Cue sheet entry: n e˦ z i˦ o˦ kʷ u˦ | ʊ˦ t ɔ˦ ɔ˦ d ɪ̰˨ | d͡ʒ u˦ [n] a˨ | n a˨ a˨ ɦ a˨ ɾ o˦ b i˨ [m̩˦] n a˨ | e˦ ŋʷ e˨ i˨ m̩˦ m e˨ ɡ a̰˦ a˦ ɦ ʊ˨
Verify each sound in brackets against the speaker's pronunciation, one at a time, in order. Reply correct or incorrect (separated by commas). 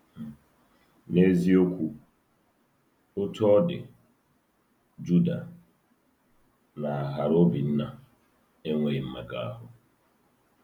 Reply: incorrect, incorrect